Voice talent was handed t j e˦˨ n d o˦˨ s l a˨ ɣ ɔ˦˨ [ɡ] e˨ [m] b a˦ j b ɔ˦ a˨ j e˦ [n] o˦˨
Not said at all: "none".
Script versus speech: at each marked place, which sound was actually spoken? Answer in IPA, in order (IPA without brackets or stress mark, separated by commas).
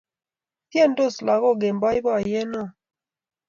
ɡ, m, n